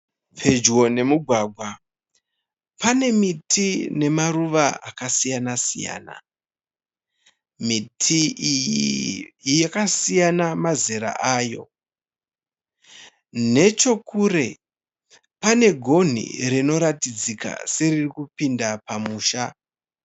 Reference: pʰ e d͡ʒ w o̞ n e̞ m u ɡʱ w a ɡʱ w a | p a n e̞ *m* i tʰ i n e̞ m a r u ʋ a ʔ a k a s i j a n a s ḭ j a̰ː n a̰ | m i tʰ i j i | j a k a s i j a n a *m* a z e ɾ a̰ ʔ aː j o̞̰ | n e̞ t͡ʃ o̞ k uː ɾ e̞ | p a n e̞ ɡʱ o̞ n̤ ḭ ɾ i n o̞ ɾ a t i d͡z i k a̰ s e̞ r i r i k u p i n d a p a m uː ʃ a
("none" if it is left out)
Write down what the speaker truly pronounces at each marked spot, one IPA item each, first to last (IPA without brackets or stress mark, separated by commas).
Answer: m, m